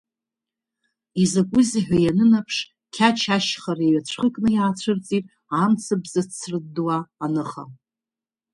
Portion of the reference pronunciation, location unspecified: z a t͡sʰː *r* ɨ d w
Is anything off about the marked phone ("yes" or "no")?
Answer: no